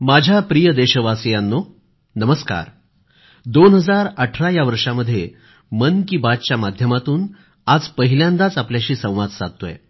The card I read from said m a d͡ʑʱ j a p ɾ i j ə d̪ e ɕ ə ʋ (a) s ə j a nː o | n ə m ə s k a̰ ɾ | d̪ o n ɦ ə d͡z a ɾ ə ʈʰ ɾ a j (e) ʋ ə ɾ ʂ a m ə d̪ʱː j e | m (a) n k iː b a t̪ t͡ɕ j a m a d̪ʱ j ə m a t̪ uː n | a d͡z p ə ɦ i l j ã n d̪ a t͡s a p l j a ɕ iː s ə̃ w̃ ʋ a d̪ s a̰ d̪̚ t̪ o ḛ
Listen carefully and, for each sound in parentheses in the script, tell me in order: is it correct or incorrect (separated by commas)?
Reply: correct, incorrect, incorrect